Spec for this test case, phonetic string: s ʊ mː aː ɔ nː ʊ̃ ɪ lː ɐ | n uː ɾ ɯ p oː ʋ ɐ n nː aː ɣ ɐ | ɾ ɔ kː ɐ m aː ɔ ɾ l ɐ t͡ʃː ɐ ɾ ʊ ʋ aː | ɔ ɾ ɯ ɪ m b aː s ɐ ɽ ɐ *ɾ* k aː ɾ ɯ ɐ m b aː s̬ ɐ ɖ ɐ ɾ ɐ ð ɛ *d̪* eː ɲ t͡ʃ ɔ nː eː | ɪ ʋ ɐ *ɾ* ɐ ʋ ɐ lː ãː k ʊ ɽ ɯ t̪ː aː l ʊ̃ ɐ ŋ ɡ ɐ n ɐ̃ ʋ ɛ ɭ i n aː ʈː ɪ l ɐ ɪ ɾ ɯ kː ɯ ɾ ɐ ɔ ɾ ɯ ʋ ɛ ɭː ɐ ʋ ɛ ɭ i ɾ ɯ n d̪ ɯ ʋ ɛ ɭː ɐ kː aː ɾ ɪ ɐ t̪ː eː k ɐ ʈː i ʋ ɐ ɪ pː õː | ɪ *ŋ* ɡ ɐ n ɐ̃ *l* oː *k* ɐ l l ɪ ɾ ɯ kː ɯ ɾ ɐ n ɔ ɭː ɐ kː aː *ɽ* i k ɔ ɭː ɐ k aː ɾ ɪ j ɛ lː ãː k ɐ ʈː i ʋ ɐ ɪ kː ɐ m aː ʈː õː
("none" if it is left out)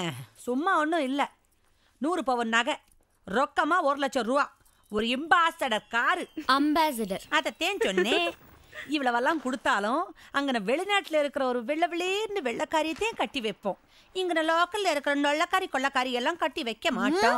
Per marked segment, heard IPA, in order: ɾ, t̪, ɭ, ŋ, l, k, ɾ

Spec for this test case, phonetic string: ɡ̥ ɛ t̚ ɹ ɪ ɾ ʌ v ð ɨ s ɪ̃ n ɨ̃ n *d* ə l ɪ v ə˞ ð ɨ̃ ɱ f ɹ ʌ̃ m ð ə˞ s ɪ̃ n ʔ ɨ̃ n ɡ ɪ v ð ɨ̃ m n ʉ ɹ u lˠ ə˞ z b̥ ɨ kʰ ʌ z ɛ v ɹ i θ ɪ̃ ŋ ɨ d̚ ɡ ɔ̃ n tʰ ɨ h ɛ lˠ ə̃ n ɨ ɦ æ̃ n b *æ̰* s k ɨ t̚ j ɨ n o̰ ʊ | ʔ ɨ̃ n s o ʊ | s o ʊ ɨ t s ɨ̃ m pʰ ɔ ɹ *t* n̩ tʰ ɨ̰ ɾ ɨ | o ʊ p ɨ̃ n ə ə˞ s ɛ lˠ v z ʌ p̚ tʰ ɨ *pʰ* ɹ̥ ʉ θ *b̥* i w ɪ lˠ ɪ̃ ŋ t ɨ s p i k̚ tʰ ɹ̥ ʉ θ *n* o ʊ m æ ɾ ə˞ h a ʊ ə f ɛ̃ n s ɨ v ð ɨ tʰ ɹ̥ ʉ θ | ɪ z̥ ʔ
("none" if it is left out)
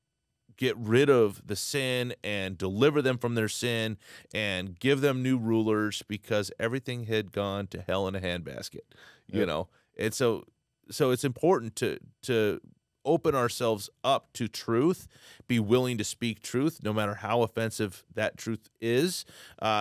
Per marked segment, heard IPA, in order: d, æ̰, ʔ, tʰ, b̥, n

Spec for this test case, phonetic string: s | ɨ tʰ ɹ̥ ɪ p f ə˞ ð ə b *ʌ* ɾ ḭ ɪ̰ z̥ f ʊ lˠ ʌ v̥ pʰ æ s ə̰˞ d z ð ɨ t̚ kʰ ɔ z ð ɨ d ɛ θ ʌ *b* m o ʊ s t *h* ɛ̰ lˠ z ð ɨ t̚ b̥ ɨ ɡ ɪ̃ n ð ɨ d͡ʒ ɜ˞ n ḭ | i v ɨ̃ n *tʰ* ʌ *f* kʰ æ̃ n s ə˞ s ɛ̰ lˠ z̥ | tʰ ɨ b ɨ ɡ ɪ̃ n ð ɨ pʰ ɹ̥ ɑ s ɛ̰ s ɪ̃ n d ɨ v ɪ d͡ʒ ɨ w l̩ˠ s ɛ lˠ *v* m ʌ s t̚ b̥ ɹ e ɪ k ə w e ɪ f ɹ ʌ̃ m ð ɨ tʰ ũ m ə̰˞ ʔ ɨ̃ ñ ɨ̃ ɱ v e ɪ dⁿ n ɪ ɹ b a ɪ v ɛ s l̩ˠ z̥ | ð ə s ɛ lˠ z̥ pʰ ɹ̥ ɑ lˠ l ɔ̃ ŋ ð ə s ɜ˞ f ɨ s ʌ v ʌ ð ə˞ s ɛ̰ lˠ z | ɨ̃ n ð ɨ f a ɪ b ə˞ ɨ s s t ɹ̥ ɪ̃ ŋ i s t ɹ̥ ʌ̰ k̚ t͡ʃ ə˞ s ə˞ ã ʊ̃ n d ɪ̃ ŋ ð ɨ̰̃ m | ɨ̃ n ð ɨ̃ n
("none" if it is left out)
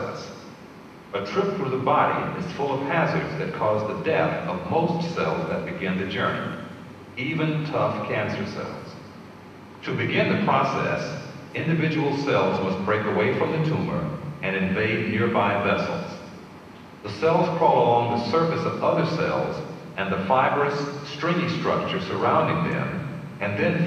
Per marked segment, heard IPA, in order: ɑ, v, s, tʰ, f, z

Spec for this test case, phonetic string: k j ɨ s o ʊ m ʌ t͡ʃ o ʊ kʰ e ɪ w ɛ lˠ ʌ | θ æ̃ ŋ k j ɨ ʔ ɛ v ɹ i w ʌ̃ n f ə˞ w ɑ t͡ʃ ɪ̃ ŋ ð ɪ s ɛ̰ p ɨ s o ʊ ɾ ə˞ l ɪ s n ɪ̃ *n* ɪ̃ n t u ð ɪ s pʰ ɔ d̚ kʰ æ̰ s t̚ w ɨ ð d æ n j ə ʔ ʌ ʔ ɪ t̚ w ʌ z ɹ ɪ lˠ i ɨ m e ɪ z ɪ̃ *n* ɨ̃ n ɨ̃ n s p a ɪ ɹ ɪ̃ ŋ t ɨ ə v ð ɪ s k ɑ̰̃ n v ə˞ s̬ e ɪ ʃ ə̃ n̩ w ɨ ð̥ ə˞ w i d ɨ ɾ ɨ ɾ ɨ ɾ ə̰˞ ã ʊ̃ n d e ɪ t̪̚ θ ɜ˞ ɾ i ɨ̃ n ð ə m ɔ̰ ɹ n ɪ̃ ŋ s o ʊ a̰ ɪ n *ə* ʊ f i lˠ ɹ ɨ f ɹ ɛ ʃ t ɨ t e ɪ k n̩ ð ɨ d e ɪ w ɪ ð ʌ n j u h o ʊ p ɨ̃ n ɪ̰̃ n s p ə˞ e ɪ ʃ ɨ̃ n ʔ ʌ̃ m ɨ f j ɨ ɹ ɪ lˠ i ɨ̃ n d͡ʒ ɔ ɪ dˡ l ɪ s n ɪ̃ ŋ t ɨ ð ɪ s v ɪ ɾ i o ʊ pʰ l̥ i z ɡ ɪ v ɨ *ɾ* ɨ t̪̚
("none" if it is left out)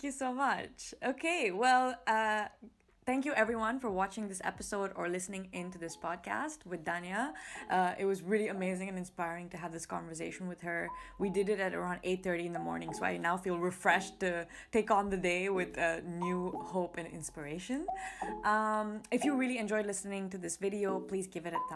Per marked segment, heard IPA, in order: ŋ, ŋ, a, ɾ

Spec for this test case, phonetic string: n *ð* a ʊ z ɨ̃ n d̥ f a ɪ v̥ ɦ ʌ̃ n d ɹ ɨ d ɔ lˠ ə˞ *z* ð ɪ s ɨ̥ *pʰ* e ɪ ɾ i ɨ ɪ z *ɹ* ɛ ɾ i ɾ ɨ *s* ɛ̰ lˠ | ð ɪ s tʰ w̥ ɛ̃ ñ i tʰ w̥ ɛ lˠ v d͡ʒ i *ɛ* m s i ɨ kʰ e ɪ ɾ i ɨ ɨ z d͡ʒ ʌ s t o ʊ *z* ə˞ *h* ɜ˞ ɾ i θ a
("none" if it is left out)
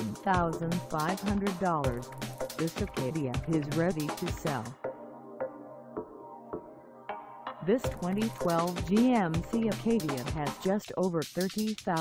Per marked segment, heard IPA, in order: θ, z, kʰ, ɹ, s, ɛ̃, v, θ

